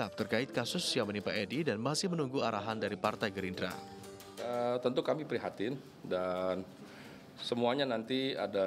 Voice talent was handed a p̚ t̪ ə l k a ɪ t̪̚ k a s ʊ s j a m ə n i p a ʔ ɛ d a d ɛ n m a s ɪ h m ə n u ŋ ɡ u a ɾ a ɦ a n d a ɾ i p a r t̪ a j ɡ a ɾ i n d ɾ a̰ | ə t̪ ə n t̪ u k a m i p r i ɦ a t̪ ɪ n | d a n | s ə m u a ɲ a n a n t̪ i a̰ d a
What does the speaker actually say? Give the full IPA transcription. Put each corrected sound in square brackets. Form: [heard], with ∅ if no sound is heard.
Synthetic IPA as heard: a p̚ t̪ ə [r] k a ɪ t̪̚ k a s ʊ s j a m ə n i p a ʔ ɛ d [i] d [a] n m a s ɪ h m ə n u ŋ ɡ u a ɾ a ɦ a n d a ɾ i p a r t̪ a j ɡ [ə] ɾ i n d ɾ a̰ | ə t̪ ə n t̪ u k a m i p [ɾ] i ɦ a t̪ ɪ n | d a n | s ə m u a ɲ a n a n t̪ i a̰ d a

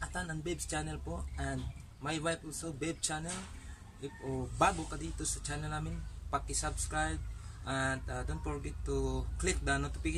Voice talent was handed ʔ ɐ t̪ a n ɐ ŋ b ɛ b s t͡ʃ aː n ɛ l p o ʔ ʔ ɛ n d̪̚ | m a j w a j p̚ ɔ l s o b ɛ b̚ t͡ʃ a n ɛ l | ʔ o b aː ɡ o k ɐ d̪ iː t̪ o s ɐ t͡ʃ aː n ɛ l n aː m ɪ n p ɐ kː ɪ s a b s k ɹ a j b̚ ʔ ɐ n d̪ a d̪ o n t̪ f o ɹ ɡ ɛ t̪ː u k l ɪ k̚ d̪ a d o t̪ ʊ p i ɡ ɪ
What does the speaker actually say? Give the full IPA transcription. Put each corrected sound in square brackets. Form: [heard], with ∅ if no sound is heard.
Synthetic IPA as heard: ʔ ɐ t̪ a n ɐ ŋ b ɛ b s t͡ʃ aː n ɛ l p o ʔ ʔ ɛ n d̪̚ | m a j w a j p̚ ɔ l s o b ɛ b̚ t͡ʃ a n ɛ l | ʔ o b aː ɡ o k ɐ d̪ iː t̪ o s ɐ t͡ʃ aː n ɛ l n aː m ɪ n p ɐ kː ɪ s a b s k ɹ a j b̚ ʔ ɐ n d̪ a d̪ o n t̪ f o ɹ ɡ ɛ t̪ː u k l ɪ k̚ d̪ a [n] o t̪ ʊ p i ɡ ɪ

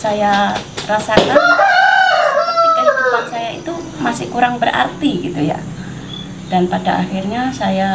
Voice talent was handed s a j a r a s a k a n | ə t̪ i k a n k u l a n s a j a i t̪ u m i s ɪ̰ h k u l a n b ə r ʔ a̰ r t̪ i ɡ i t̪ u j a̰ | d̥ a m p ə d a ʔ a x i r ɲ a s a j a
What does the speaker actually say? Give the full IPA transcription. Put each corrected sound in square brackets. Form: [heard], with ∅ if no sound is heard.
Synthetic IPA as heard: s a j a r a s a k a n | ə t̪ i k a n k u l a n s a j a i t̪ u m [a] s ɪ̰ h k u [ɾ] a [ŋ] b ə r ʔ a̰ r t̪ i ɡ i t̪ u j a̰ | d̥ a [n] p [a] d a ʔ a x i r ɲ a s a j a

